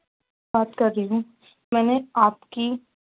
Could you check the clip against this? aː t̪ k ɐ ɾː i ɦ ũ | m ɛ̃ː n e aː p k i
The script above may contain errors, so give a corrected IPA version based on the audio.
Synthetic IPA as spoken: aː t̪ k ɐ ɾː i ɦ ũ | m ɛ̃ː n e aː p k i